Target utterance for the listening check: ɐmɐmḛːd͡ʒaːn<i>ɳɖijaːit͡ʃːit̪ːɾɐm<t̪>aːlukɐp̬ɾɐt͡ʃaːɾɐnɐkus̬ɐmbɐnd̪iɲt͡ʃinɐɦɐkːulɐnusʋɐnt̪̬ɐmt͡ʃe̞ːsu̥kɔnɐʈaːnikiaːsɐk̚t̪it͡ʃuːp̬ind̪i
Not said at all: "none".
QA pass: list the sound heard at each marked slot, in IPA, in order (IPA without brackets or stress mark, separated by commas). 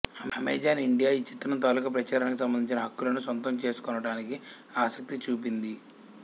i, t̪